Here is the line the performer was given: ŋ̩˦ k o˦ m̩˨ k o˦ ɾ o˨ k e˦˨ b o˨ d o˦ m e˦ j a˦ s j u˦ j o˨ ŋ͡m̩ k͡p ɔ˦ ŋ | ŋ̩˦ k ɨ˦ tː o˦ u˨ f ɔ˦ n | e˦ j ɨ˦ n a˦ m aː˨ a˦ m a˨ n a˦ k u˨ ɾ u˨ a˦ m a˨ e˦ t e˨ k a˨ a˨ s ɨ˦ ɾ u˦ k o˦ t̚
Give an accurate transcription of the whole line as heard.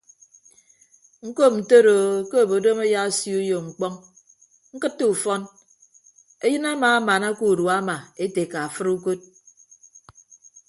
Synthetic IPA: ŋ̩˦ k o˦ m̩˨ t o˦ ɾ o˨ k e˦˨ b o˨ d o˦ m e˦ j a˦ s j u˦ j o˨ ŋ͡m̩ k͡p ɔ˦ ŋ | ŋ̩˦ k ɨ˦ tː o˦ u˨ f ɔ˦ n | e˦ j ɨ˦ n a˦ m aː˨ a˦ m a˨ n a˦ k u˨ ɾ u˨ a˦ m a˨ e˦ t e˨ k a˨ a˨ f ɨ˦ ɾ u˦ k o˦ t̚